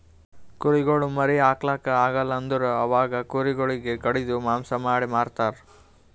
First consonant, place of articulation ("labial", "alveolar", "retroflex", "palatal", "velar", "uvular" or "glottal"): velar